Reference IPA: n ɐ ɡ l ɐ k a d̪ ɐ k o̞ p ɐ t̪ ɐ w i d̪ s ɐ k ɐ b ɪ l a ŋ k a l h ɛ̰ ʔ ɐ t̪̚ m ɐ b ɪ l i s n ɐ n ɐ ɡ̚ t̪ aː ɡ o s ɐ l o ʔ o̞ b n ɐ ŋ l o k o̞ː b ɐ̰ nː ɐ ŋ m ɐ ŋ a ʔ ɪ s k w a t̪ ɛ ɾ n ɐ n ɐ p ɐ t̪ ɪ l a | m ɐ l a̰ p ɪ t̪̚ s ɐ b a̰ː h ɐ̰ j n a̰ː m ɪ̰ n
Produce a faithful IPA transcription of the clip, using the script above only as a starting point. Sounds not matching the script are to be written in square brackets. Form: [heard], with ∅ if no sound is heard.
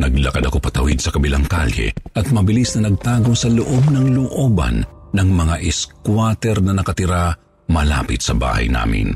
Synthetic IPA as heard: n ɐ ɡ l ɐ k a d̪ ɐ k o̞ p ɐ t̪ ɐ w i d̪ s ɐ k ɐ b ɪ l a ŋ k a l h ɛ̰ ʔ ɐ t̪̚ m ɐ b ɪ l i s n ɐ n ɐ ɡ̚ t̪ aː ɡ o s ɐ l o ʔ o̞ b n ɐ ŋ l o [ʔ] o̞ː b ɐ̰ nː ɐ ŋ m ɐ ŋ a ʔ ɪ s k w a t̪ ɛ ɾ n ɐ n ɐ [k] ɐ t̪ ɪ [ɾ] a | m ɐ l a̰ p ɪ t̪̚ s ɐ b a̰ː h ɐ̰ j n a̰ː m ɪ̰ n